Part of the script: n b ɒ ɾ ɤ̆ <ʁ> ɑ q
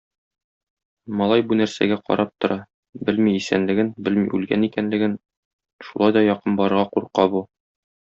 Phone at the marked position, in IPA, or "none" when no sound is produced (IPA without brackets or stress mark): ʁ